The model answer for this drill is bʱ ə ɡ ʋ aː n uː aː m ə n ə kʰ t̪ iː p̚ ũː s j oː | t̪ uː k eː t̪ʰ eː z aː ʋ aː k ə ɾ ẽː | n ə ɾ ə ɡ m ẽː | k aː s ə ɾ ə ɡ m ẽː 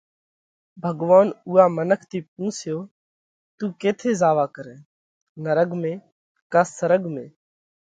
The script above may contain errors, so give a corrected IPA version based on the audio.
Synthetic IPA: bʱ ə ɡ ʋ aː n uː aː m ə n ə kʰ t̪ iː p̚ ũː s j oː | t̪ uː k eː t̪ʰ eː z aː ʋ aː k ə ɾ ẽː | n ə ɾ ə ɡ m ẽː | k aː s ə ɾ ə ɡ m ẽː